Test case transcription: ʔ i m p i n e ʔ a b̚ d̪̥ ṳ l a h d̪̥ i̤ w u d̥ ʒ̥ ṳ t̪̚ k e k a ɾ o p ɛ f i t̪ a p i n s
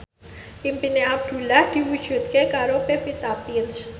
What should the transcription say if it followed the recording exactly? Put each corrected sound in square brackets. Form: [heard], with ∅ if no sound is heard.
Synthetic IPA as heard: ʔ i m p i n e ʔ a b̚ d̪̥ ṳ l a h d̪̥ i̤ w u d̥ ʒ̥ ṳ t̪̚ k e k a ɾ o p [e] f i t̪ a p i n s